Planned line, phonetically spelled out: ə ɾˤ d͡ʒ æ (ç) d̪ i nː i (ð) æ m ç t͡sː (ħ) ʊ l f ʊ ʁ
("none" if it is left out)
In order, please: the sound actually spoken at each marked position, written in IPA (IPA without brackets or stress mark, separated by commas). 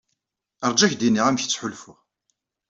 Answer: ç, ʁ, ħ